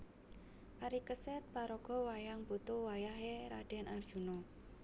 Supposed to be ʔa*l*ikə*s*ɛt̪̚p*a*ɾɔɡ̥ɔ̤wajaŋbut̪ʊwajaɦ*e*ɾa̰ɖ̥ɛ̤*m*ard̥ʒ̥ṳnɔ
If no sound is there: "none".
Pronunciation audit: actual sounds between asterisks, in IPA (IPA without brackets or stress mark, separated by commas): ɾ, s, a, e, n